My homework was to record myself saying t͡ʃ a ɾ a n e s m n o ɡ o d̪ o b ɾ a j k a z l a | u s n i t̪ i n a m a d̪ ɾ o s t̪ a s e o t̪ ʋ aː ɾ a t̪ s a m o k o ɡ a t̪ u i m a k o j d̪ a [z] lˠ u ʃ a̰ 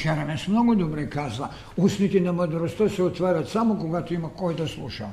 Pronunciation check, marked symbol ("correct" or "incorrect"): incorrect